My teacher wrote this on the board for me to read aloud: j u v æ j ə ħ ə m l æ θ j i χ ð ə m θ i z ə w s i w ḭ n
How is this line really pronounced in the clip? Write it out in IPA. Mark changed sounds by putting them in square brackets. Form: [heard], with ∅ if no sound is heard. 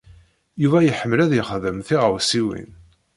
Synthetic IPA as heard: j u v æ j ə ħ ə m l æ [ð] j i χ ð ə m θ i [ʁ] ə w s i w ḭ n